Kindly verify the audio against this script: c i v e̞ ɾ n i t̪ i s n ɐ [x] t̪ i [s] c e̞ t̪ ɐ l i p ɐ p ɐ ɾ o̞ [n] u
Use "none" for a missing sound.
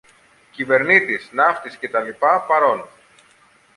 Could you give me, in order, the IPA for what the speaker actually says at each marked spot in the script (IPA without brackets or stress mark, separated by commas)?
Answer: f, s, n